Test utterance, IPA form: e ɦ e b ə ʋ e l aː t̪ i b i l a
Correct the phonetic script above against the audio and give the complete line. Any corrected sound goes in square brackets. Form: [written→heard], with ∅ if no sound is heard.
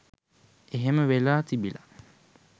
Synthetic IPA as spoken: e ɦ e [b→m] ə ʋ e l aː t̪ i b i l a